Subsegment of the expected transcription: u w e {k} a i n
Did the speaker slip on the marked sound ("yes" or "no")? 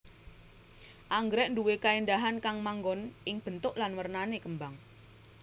no